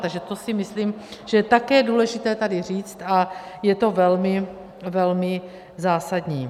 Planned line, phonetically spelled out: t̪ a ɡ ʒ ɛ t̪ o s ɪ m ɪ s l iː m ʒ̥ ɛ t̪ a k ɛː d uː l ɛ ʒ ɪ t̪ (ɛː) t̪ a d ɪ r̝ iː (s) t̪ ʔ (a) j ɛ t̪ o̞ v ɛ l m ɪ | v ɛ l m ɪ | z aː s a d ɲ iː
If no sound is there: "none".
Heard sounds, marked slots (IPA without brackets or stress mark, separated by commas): ɛː, t͡s, a